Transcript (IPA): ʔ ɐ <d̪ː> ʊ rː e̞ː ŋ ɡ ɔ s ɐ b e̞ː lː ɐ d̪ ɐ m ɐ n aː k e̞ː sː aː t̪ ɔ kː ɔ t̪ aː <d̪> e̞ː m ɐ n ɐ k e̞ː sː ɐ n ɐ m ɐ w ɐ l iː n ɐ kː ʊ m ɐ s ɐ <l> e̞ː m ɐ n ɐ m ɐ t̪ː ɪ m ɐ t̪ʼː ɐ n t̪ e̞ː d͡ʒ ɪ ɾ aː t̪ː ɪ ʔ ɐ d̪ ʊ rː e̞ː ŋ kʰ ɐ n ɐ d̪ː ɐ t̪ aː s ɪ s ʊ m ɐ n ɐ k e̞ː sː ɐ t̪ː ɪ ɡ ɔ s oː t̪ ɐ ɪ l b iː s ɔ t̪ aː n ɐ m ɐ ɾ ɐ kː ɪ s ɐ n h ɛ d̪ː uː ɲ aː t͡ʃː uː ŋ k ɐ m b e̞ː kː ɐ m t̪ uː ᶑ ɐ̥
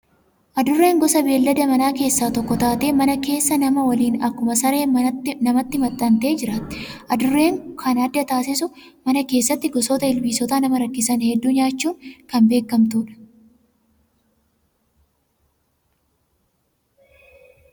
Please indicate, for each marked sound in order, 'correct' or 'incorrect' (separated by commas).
incorrect, incorrect, incorrect